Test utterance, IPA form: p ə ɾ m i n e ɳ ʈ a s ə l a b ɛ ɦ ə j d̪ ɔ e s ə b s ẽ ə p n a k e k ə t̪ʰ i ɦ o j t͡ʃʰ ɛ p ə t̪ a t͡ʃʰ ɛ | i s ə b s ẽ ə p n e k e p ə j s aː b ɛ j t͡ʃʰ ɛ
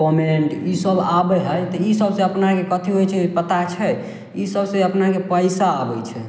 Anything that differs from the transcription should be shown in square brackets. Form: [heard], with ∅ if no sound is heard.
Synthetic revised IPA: p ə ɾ m i n e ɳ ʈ [i] s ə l a b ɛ ɦ ə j [t̪] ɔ [i] s ə b s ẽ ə p n a k e k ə t̪ʰ i ɦ o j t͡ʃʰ ɛ p ə t̪ a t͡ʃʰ ɛ | i s ə b s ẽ ə p n [a] k e p ə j s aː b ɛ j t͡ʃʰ ɛ

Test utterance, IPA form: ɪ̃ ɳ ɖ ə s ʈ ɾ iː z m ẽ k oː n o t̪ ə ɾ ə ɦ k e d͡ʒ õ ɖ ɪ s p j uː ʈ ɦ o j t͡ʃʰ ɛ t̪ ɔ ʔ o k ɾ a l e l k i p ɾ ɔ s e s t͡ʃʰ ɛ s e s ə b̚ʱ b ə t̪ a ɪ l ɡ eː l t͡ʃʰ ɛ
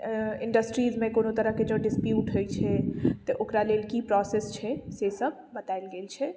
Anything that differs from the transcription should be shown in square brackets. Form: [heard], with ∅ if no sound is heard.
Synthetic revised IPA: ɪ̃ ɳ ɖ ə s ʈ ɾ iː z m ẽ k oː n o t̪ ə ɾ ə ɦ k e d͡ʒ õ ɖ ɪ s p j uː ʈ ɦ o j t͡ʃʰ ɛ t̪ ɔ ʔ o k ɾ a l e l k i p ɾ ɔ s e s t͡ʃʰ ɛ s e s ə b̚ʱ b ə t̪ a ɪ l ɡ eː l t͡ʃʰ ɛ

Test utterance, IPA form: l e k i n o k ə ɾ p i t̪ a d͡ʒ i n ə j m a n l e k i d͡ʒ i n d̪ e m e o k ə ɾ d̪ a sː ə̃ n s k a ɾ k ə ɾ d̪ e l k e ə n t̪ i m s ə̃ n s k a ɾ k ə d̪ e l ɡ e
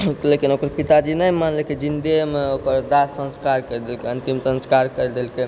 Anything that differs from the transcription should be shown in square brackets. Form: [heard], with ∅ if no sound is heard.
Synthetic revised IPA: l e k i n o k ə ɾ p i t̪ a d͡ʒ i n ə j m a n l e k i d͡ʒ i n d̪ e m e o k ə ɾ d̪ a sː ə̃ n s k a ɾ k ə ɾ d̪ e l k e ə n t̪ i m s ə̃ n s k a ɾ k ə d̪ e l [k] e

